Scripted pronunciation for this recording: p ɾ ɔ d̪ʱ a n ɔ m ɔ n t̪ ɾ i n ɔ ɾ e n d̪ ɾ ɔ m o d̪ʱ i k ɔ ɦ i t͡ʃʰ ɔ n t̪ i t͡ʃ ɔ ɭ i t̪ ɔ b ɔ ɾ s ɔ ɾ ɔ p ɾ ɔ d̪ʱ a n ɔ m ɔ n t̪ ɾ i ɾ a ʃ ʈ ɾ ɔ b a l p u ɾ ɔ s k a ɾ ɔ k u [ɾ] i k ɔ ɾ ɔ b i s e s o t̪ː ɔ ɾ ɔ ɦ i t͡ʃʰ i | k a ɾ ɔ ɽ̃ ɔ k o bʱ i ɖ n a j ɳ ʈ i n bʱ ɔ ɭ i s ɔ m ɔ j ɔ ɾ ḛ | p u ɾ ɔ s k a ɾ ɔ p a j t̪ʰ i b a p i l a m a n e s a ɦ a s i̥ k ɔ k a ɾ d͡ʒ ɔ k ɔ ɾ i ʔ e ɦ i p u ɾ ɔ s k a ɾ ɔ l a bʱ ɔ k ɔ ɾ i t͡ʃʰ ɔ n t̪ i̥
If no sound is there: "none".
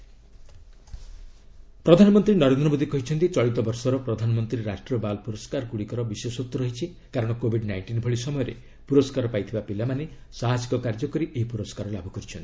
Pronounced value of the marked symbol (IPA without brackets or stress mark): ɽ